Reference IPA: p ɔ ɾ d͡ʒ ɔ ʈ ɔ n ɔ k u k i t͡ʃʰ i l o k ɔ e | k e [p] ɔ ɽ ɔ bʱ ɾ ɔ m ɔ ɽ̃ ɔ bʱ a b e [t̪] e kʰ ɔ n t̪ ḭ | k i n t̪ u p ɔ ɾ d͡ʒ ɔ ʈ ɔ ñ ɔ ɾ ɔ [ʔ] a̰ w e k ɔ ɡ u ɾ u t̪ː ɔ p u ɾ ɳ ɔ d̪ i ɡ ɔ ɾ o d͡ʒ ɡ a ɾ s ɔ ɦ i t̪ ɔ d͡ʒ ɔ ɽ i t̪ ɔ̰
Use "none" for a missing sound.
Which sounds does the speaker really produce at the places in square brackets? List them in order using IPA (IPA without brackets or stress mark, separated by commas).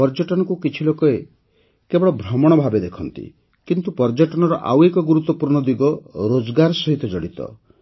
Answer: b, d̪, ʔ